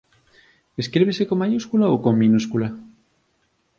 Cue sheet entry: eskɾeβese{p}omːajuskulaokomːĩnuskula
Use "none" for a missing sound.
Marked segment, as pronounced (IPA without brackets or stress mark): k